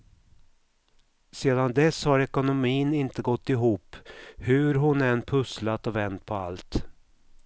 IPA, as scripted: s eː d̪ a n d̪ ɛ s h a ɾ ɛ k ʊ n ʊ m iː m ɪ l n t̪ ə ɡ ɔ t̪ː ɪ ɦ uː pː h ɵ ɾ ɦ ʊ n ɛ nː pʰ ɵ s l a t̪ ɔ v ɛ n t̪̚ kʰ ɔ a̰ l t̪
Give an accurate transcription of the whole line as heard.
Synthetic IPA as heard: s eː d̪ a n d̪ ɛ s h a ɾ ɛ k ʊ n ʊ m iː n ɪ n t̪ ə ɡ ɔ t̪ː ɪ ɦ uː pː h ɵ ɾ ɦ ʊ n ɛ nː pʰ ɵ s l a t̪ ɔ v ɛ n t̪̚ pʰ ɔ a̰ l t̪